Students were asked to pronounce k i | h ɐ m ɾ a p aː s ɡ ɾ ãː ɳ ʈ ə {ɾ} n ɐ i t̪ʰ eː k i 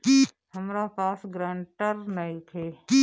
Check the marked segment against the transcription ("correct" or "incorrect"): correct